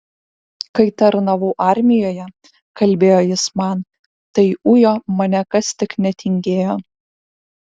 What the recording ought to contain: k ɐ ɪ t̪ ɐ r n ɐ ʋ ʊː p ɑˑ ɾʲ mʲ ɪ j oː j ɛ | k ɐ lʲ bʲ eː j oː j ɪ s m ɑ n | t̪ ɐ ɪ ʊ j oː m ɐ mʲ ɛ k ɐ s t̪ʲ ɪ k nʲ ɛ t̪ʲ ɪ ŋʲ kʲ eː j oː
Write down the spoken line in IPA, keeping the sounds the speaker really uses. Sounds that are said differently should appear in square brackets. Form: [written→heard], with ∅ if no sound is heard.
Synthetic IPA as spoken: k ɐ ɪ t̪ ɐ [r→ɾ] n ɐ ʋ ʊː [p→ʔ] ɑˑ ɾʲ mʲ ɪ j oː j ɛ | k ɐ lʲ bʲ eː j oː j ɪ s m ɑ n | t̪ ɐ ɪ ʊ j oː m ɐ [mʲ→nʲ] ɛ k ɐ s t̪ʲ ɪ k nʲ ɛ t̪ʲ ɪ ŋʲ [kʲ→ɡʲ] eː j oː

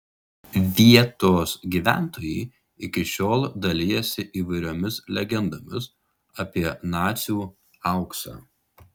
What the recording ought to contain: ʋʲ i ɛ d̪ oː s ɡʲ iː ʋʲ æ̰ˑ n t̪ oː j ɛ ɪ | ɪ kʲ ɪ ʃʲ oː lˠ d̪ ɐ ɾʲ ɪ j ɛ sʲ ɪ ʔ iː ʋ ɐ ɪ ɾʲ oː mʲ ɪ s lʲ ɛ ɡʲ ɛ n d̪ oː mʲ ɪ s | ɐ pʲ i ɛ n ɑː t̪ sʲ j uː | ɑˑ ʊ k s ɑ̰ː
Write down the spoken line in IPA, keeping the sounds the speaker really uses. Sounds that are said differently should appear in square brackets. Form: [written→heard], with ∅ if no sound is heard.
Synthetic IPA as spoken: ʋʲ i ɛ [d̪→t̪] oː s ɡʲ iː ʋʲ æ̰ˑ n t̪ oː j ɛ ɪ | ɪ kʲ ɪ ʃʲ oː lˠ d̪ ɐ [ɾʲ→lʲ] ɪ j ɛ sʲ ɪ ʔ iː ʋ ɐ ɪ ɾʲ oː mʲ ɪ s lʲ ɛ ɡʲ ɛ n d̪ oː mʲ ɪ s | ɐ pʲ i ɛ n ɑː t̪ sʲ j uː | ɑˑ ʊ k s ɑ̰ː

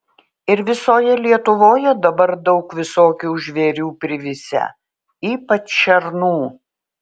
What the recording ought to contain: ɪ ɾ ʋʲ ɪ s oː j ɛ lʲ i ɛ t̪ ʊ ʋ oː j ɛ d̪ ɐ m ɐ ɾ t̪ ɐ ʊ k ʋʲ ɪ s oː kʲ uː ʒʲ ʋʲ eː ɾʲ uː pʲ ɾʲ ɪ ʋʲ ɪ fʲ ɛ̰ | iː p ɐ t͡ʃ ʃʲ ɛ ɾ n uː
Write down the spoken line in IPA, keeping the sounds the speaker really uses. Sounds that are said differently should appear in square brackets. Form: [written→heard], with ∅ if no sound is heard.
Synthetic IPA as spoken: ɪ ɾ ʋʲ ɪ s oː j ɛ lʲ i ɛ t̪ ʊ ʋ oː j ɛ d̪ ɐ [m→b] ɐ ɾ [t̪→d̪] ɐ ʊ k ʋʲ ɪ s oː kʲ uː ʒʲ ʋʲ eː ɾʲ uː pʲ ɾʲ ɪ ʋʲ ɪ [fʲ→sʲ] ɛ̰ | iː p ɐ t͡ʃ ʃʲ ɛ ɾ n uː

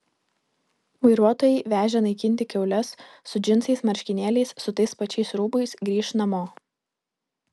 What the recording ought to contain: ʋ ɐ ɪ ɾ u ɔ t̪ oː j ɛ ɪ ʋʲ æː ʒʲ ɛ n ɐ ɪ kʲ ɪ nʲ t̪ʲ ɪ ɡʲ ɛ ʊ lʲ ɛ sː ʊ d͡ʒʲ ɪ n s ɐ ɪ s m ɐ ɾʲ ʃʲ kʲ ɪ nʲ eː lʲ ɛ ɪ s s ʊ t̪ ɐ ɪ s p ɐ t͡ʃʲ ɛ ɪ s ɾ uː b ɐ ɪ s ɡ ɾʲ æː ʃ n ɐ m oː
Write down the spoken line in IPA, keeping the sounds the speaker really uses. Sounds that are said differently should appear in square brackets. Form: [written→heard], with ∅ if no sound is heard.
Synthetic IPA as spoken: ʋ ɐ ɪ ɾ u ɔ t̪ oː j ɛ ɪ ʋʲ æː ʒʲ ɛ n ɐ ɪ kʲ ɪ nʲ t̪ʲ ɪ [ɡʲ→kʲ] ɛ ʊ lʲ ɛ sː ʊ d͡ʒʲ ɪ n s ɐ ɪ s m ɐ ɾʲ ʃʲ kʲ ɪ nʲ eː lʲ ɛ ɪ s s ʊ t̪ ɐ ɪ s p ɐ t͡ʃʲ ɛ ɪ s ɾ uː b ɐ ɪ s ɡ ɾʲ [æː→iː] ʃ n ɐ m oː

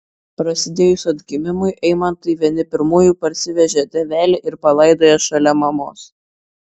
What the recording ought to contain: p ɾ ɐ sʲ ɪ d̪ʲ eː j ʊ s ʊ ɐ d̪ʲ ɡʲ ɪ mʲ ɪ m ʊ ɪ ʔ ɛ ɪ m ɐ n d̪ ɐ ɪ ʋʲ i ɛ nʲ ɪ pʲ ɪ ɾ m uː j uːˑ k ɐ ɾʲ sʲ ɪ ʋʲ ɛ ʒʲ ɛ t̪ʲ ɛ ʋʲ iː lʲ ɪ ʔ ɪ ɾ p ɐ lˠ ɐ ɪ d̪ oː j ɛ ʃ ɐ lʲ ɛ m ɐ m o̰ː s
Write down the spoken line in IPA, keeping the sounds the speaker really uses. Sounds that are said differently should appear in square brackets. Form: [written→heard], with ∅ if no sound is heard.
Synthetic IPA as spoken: p ɾ ɐ sʲ ɪ d̪ʲ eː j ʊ s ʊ ɐ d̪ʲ ɡʲ ɪ mʲ ɪ m ʊ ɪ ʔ ɛ ɪ m ɐ n [d̪→t̪] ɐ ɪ ʋʲ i ɛ nʲ ɪ pʲ ɪ ɾ m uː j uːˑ [k→p] ɐ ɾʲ sʲ ɪ ʋʲ ɛ ʒʲ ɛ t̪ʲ ɛ ʋʲ [iː→æː] lʲ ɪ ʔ ɪ ɾ p ɐ lˠ ɐ ɪ d̪ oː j ɛ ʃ ɐ lʲ ɛ m ɐ m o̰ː s

